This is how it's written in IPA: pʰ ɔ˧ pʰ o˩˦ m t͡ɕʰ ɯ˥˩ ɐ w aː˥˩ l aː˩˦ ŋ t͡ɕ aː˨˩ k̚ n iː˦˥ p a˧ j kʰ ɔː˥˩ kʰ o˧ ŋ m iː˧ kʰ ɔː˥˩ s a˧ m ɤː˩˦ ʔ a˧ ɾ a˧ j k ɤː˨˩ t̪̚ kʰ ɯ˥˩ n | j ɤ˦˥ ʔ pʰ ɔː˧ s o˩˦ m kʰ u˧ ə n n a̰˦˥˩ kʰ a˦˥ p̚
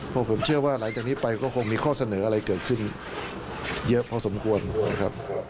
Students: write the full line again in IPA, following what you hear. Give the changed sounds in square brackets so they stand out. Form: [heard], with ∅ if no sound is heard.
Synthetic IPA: pʰ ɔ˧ pʰ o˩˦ m t͡ɕʰ ɯ˥˩ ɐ w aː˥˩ l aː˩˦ ŋ t͡ɕ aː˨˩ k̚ n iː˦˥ p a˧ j [k] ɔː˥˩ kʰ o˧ ŋ m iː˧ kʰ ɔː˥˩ s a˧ [n] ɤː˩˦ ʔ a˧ ɾ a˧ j k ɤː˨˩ t̪̚ kʰ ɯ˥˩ n | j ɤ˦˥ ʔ pʰ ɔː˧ s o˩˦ m kʰ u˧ ə n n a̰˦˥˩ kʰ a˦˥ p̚